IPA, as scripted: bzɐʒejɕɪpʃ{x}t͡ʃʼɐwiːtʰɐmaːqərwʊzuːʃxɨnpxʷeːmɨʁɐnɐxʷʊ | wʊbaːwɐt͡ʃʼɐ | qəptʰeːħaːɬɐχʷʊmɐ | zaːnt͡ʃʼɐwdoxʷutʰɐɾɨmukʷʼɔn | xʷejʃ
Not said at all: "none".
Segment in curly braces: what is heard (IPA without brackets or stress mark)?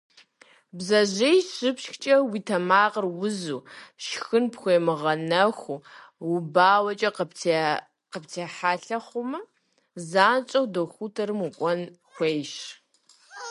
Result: x